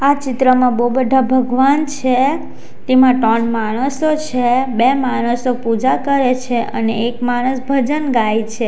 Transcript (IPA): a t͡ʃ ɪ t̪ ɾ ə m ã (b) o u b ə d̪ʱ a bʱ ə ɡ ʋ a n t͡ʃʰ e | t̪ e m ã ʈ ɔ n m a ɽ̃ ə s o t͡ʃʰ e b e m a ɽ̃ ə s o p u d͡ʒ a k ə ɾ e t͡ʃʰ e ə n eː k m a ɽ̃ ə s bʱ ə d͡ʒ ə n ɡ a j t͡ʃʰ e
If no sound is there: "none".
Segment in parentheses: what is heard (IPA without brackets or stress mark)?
b